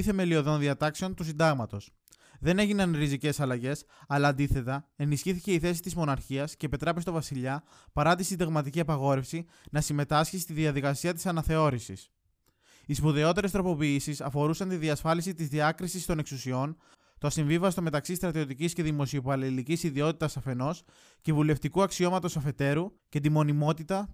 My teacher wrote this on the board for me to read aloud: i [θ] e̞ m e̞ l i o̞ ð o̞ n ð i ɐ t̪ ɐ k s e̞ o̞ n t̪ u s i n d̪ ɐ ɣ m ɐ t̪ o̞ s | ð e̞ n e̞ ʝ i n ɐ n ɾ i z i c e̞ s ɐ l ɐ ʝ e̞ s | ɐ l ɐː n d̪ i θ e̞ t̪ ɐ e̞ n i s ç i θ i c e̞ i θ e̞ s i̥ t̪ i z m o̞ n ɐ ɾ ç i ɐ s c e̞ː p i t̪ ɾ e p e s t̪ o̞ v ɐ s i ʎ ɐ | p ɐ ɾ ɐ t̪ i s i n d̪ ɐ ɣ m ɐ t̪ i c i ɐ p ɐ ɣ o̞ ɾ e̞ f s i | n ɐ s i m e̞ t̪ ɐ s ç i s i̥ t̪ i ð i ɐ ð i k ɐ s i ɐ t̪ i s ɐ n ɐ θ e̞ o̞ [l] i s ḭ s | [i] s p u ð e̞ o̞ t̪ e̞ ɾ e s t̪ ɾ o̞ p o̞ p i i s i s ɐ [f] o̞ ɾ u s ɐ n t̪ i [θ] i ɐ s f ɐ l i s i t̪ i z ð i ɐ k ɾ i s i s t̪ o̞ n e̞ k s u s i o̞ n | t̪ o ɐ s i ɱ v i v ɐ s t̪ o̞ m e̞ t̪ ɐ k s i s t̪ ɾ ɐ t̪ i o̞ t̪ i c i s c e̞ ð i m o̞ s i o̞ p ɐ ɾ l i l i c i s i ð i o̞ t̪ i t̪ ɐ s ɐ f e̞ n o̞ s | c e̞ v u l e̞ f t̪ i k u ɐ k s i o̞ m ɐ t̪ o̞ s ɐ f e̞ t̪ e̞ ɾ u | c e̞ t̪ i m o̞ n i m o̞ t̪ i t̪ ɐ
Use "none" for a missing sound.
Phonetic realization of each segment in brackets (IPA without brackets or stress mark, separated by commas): θ, ɾ, i, f, ð